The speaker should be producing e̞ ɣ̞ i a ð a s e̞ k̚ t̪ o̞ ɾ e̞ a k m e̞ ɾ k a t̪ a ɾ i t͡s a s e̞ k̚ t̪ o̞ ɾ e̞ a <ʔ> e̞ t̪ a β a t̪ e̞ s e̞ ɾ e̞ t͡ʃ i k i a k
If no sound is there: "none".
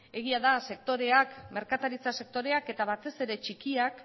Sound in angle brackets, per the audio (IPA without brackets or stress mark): k